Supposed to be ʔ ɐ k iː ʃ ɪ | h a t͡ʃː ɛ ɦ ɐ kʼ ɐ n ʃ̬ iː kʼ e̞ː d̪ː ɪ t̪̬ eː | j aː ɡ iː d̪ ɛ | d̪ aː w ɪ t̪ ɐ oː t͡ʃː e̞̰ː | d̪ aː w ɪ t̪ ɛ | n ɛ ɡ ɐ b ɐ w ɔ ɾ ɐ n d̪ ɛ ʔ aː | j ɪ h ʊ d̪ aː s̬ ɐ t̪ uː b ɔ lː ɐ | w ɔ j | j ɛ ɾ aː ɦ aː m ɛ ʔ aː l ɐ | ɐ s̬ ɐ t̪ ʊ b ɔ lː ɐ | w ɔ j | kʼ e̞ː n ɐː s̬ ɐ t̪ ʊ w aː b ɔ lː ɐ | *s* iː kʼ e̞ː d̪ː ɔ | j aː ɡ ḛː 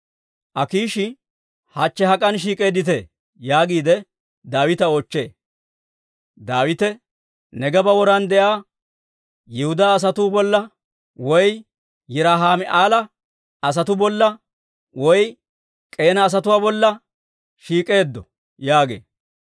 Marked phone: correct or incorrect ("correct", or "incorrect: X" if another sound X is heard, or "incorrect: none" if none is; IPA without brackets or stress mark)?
incorrect: ʃ